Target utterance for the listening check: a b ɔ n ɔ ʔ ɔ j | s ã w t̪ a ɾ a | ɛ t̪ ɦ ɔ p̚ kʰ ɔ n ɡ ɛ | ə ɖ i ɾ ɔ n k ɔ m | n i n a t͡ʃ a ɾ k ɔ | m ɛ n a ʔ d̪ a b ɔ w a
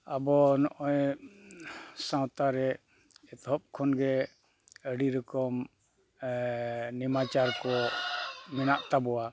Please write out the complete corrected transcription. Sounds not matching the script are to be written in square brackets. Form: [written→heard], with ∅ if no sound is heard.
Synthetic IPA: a b ɔ n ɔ ʔ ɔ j | s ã w t̪ a ɾ [a→ɛ] | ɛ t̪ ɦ ɔ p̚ kʰ ɔ n ɡ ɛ | ə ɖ i ɾ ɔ [n→∅] k ɔ m | n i [n→m] a t͡ʃ a ɾ k ɔ | m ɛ n a ʔ [d̪→t̪] a b ɔ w a